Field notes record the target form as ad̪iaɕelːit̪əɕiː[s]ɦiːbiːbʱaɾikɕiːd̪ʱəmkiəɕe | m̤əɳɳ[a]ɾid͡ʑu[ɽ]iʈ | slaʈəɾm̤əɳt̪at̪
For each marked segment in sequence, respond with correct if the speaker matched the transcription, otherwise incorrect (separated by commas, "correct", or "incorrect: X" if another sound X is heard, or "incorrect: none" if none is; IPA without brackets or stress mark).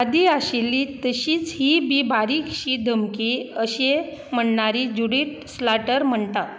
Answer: incorrect: t͡s, correct, correct